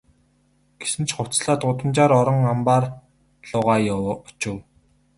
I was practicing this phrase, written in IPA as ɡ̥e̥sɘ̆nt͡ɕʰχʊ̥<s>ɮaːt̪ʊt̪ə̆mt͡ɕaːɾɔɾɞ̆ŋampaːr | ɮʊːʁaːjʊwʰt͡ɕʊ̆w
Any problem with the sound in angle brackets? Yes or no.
yes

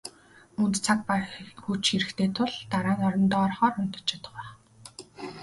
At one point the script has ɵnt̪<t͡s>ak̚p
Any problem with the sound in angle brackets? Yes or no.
yes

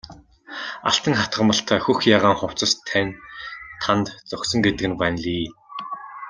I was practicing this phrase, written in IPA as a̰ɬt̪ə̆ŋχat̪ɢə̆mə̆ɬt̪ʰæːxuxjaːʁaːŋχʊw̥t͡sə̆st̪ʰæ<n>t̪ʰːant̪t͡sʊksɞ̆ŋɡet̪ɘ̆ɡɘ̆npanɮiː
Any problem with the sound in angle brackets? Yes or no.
no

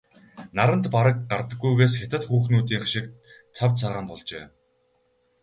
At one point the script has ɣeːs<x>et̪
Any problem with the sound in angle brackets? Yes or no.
no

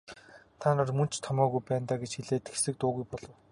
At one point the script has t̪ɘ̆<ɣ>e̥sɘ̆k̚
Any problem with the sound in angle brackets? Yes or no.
yes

